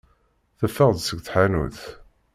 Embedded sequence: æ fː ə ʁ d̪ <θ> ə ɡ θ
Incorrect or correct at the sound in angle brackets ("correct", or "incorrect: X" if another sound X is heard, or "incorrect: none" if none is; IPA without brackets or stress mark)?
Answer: incorrect: s